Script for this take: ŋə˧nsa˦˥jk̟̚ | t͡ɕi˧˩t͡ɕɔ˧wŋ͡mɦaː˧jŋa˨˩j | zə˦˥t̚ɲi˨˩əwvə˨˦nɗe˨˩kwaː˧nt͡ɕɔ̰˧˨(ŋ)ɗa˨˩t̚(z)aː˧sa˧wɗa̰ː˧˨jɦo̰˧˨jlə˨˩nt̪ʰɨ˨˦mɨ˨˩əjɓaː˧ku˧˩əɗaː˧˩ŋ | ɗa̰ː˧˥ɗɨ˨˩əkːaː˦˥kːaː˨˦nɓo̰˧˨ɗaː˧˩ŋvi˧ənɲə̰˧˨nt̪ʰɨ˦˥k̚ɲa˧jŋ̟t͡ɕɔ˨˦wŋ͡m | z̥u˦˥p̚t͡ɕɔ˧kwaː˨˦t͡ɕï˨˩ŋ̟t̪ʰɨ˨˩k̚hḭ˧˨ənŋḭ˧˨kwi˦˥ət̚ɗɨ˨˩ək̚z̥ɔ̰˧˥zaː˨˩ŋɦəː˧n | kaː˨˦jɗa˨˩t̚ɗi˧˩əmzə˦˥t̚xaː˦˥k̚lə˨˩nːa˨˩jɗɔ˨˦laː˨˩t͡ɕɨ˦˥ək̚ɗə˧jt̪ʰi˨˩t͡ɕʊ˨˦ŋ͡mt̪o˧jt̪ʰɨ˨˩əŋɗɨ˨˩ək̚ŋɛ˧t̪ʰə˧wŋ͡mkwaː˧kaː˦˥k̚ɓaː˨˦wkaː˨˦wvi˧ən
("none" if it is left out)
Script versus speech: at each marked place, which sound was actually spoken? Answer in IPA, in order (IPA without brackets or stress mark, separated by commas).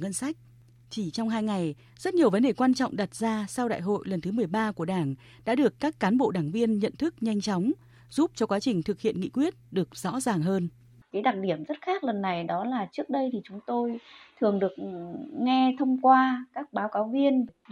ŋ͡m, z